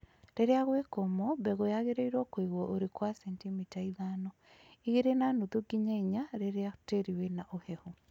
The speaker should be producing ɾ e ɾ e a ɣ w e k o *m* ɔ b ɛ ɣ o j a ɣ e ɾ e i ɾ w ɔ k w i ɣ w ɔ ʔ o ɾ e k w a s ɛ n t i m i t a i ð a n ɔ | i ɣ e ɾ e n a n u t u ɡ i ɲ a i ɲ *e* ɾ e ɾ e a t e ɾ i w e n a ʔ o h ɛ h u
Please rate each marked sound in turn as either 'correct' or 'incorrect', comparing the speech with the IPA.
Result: correct, incorrect: a

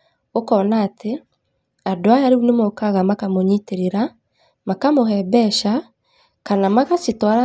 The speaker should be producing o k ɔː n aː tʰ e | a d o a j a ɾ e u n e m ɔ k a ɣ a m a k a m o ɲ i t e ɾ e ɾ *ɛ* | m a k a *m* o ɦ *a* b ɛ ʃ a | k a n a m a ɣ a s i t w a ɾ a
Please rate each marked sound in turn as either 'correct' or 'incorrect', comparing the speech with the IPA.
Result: incorrect: a, correct, incorrect: ɛ

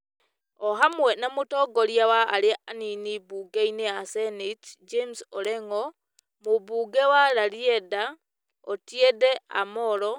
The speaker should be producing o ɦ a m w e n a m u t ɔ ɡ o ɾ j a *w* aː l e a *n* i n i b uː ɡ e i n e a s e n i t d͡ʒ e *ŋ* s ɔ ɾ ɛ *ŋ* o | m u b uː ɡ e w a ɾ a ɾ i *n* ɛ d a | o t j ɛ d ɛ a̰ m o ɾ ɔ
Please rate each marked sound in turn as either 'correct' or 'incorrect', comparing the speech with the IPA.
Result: correct, correct, incorrect: m, correct, incorrect: none

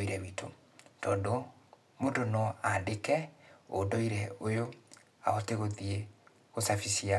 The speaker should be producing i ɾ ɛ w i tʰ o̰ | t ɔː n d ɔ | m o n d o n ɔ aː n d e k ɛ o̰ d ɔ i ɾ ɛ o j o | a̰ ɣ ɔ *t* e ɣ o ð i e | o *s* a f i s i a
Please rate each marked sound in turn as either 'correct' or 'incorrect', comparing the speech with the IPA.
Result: correct, correct

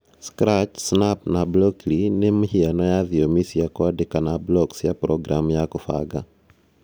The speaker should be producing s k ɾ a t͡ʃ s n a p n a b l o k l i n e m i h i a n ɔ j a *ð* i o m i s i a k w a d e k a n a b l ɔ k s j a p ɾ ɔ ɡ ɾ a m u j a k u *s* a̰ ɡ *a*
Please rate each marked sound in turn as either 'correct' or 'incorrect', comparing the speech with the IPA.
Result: correct, incorrect: f, correct

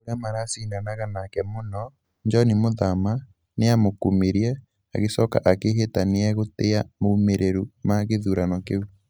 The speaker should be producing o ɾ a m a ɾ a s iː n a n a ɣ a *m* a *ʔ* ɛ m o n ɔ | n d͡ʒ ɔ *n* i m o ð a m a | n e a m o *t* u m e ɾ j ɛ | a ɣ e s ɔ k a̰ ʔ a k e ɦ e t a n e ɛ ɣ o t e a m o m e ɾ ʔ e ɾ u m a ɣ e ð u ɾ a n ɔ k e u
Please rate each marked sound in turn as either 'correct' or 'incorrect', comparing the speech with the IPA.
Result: incorrect: n, incorrect: k, correct, incorrect: k

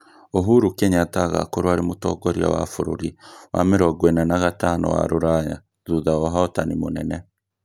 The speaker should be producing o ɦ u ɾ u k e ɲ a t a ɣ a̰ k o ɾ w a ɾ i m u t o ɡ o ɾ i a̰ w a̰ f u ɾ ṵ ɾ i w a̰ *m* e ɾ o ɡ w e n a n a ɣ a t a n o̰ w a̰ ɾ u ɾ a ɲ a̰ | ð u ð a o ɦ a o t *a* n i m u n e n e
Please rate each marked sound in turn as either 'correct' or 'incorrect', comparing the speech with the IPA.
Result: correct, correct

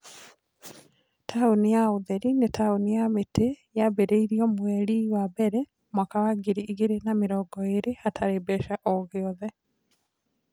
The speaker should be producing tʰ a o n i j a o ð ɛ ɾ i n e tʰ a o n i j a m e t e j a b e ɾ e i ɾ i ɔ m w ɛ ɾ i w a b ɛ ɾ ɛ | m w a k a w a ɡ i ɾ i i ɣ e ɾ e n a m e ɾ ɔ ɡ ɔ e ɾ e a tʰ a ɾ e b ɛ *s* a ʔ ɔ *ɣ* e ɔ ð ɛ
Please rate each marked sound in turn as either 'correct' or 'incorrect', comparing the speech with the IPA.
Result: incorrect: ʃ, correct

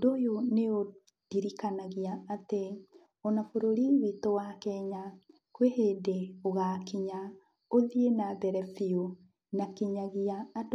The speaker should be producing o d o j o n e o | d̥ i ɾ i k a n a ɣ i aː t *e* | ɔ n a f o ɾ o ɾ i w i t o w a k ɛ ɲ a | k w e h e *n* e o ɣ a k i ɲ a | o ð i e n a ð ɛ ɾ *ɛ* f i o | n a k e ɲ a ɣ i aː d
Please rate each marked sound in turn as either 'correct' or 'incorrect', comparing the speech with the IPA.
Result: correct, incorrect: d, correct

